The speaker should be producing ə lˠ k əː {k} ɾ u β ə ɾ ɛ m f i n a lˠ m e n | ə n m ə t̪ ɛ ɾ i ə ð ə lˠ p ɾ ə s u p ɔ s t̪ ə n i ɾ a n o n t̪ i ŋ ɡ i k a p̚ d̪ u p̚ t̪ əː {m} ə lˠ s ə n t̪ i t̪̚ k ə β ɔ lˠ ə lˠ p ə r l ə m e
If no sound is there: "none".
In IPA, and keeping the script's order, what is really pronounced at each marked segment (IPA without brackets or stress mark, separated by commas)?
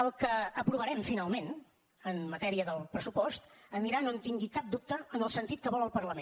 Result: p, n